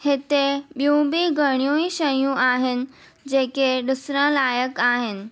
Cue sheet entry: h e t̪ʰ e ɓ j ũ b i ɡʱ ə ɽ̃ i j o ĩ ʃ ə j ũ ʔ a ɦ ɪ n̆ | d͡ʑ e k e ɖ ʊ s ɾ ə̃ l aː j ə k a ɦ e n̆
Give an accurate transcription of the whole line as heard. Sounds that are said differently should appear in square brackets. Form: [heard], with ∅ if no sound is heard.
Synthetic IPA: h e [t̪] e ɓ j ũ b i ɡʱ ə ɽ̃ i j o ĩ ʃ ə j ũ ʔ a ɦ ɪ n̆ | d͡ʑ e k e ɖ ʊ s ɾ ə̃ l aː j ə k a ɦ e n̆